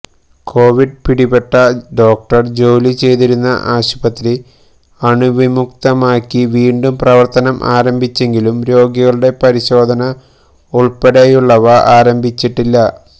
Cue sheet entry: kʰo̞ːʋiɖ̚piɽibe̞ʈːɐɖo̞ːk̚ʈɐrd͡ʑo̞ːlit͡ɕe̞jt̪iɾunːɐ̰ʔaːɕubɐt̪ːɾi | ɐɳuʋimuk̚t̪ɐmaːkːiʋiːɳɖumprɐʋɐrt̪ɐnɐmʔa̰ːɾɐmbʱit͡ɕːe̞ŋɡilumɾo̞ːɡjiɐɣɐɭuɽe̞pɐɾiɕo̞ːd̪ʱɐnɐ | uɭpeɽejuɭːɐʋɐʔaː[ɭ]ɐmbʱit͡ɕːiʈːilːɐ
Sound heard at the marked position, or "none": ɾ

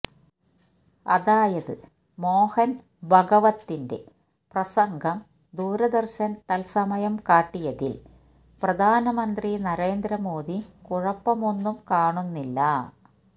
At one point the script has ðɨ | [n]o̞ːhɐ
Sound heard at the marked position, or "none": m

